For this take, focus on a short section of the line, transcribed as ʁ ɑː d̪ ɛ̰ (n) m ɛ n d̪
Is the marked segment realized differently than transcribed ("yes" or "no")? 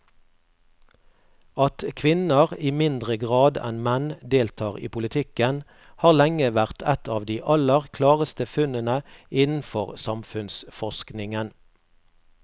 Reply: no